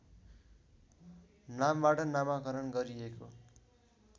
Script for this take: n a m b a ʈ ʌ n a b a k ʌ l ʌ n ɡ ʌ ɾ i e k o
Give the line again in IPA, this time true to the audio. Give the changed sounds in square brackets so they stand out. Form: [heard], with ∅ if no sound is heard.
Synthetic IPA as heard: n a m b a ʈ ʌ n a [m] a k ʌ [ɾ] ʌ n ɡ ʌ ɾ i e k o